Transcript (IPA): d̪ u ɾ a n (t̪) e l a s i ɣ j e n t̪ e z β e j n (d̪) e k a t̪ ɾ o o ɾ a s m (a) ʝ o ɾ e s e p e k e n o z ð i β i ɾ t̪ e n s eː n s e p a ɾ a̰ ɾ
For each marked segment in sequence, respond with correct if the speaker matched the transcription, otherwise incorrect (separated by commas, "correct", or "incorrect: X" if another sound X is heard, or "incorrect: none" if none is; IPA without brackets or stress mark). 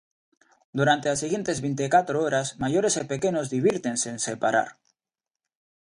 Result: correct, incorrect: t̪, correct